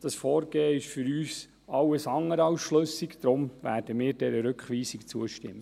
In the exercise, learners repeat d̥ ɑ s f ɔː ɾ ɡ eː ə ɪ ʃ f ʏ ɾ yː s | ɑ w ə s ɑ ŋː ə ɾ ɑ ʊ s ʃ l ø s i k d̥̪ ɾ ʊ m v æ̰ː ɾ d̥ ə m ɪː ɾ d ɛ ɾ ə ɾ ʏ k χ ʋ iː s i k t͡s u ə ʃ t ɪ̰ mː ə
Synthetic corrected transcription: d̥ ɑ s f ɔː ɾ ɡ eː ə ɪ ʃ f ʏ ɾ yː s | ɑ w ə s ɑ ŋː ə ɾ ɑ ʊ s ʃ l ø s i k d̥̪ ɾ ʊ m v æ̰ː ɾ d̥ ə m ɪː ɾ d ɛ ɾ ə ɾ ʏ k χ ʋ iː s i k t͡s u ə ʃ t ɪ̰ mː ə

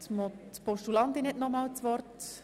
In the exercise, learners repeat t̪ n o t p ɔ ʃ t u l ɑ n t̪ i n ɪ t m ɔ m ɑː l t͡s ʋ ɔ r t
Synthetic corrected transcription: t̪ m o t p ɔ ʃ t u l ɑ n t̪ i n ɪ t n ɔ m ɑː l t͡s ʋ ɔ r t

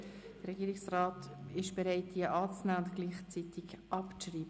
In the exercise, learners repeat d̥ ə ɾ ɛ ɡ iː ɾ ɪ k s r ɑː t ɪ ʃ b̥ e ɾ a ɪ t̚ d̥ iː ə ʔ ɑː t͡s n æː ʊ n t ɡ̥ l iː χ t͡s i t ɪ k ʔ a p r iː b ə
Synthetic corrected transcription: d̥ ə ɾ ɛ ɡ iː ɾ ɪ k s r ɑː t ɪ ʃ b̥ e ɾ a ɪ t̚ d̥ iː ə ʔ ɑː t͡s n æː ʊ n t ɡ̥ l iː χ t͡s i t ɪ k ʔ ɑ p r iː b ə

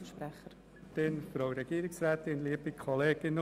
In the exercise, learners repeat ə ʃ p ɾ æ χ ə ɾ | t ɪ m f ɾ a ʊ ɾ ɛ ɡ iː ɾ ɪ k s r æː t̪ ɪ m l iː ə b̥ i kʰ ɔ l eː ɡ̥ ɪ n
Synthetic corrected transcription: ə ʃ p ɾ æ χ ə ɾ | t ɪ n f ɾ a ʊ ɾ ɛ ɡ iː ɾ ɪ k s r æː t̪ ɪ n l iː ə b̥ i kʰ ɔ l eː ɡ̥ ɪ n

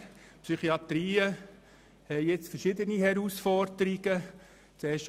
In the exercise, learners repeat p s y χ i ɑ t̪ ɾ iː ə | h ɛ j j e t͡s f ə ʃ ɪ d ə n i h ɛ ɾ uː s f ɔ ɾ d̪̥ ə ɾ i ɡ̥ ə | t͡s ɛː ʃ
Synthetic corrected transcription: p s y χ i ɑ t̪ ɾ iː ə | h ɛ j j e t͡s f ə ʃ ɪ d ə n i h ɛ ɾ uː s f ɔ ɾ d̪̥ ə ɾ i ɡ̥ ə | t͡s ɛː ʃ

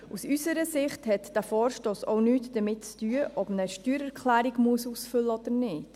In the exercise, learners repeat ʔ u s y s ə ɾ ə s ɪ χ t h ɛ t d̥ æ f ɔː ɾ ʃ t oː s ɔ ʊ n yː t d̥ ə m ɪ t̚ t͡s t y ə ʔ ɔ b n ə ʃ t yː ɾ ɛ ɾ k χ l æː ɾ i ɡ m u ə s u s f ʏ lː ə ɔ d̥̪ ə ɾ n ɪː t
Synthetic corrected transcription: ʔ u s y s ə ɾ ə s ɪ χ t h ɛ t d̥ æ f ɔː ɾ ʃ t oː s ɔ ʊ n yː t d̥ ə m ɪ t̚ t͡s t y ə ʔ ɔ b n ə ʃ t yː ɾ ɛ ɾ k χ l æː ɾ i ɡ m u ə s u s f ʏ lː ə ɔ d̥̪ ə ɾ n ɪː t

